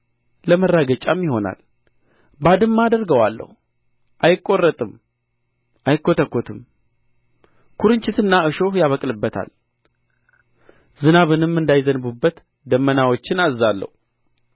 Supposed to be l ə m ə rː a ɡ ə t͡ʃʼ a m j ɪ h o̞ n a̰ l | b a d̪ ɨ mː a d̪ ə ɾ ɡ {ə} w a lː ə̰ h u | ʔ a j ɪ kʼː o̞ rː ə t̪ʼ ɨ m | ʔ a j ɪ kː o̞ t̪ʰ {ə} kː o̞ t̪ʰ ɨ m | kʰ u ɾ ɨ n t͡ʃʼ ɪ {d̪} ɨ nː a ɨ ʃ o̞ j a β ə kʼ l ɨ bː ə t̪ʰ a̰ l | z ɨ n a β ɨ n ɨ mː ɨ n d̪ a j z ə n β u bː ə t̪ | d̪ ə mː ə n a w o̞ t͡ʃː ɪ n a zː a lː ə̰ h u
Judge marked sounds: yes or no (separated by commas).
yes, yes, no